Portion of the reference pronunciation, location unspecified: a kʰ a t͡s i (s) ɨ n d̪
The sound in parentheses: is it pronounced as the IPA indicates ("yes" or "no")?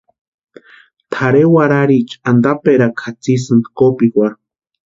yes